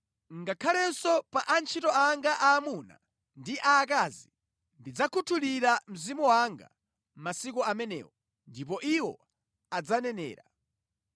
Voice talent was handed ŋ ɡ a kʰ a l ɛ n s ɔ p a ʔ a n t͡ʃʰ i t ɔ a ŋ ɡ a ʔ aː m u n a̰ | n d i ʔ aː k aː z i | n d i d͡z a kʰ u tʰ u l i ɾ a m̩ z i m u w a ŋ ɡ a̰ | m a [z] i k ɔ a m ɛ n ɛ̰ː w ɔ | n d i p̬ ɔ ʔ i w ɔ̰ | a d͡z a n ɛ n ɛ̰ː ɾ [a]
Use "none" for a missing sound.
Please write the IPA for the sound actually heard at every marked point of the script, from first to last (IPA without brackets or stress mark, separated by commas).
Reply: s, a